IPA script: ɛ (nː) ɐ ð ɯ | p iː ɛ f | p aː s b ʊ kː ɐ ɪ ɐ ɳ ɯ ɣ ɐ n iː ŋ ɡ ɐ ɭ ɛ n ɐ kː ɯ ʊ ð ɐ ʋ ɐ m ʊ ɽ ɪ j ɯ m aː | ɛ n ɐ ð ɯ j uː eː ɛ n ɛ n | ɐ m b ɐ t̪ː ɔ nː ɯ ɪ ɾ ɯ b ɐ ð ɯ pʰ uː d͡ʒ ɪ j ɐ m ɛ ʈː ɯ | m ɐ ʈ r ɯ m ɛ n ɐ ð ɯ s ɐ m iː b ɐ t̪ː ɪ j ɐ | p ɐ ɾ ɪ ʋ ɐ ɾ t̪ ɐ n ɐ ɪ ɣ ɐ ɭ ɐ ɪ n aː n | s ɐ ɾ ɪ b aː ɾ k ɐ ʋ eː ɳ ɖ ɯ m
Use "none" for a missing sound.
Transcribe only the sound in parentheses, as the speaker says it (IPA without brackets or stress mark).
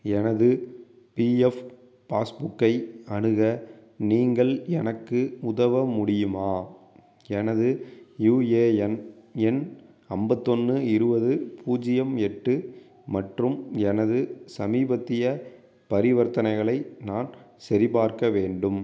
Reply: n